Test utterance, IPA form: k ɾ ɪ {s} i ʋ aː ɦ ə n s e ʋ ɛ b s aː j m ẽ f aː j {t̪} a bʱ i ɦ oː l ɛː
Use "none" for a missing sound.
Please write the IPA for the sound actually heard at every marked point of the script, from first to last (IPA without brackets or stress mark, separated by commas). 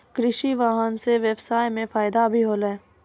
ʃ, d̪